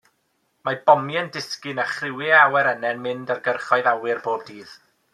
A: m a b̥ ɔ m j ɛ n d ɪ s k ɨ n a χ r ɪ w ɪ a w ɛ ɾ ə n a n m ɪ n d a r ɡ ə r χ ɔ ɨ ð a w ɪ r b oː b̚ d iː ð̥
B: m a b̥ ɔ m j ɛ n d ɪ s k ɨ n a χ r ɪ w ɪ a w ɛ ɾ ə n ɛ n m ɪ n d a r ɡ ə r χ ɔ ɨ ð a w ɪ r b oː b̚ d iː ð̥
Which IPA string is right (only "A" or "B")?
B